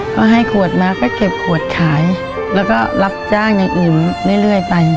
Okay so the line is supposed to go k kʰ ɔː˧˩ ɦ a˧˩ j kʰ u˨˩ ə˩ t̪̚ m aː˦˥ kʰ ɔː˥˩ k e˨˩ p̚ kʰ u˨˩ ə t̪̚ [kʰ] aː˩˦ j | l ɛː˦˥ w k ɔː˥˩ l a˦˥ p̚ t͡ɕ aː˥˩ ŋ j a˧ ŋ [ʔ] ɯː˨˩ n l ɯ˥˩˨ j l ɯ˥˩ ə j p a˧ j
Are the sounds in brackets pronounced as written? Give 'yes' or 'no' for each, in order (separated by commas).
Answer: yes, yes